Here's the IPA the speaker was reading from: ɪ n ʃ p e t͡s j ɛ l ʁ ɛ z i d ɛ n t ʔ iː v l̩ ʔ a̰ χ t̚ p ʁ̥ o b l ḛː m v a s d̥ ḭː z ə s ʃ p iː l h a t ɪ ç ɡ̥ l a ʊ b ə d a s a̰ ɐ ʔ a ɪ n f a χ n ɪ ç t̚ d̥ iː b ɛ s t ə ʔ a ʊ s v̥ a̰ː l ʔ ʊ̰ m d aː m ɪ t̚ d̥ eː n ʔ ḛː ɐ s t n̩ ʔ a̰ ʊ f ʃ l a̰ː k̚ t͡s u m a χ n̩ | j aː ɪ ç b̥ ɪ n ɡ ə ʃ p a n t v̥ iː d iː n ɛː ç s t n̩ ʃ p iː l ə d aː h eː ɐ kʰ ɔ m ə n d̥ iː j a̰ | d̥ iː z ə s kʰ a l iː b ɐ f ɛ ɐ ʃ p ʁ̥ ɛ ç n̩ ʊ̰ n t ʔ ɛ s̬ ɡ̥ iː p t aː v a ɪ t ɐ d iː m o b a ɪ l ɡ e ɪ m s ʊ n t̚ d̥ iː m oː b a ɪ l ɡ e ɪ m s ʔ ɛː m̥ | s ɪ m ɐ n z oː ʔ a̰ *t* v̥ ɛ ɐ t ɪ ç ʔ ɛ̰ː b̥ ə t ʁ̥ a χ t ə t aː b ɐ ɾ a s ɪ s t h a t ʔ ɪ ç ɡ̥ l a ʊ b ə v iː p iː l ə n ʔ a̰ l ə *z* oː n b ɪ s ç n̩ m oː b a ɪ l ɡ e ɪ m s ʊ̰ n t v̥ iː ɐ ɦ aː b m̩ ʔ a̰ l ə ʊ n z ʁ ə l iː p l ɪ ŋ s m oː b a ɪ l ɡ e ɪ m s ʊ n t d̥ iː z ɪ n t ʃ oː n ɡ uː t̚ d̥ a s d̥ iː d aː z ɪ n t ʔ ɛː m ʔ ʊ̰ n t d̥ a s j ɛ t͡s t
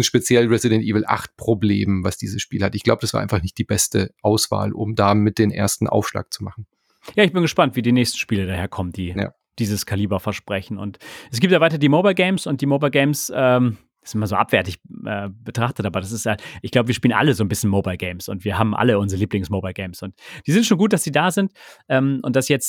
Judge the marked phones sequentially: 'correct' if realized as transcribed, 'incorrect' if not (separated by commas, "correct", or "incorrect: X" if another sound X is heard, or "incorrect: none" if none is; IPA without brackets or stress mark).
incorrect: p, correct